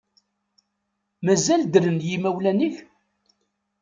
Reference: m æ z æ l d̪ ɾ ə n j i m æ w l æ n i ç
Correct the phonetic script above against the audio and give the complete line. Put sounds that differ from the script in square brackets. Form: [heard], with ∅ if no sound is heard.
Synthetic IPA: m æ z æ l d̪ ɾ ə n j i m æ w l æ n i ç